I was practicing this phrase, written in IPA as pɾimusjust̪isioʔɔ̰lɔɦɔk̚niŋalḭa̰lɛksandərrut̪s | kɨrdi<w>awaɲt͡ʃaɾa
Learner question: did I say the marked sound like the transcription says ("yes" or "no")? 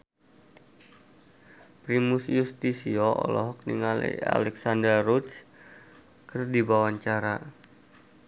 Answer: no